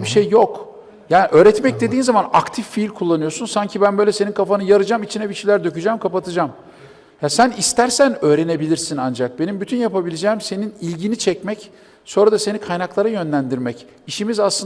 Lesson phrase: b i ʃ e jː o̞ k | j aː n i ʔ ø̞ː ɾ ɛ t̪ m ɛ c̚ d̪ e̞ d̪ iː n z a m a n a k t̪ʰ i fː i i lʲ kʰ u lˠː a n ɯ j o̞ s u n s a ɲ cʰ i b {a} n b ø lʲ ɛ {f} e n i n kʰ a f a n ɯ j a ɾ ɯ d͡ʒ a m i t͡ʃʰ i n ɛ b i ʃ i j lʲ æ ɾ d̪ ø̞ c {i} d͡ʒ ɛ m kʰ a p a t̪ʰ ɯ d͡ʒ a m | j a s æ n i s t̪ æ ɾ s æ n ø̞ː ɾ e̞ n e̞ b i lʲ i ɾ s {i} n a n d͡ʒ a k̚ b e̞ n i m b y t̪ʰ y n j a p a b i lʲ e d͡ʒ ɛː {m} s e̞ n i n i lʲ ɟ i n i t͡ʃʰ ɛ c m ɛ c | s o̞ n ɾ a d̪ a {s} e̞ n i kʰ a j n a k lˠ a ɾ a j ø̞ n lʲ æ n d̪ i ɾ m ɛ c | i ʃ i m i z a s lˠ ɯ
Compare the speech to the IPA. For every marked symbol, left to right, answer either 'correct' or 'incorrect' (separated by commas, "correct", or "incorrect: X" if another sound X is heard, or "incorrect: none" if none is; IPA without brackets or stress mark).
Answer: incorrect: æ, incorrect: s, incorrect: y, correct, correct, correct